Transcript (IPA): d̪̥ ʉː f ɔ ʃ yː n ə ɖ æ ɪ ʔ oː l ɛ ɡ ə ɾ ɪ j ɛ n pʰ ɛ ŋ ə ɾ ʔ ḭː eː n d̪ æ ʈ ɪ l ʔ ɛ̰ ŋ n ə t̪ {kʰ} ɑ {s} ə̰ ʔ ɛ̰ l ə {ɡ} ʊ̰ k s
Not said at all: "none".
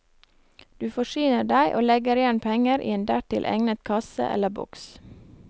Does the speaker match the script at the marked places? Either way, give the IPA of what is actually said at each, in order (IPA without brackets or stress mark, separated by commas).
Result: kʰ, s, b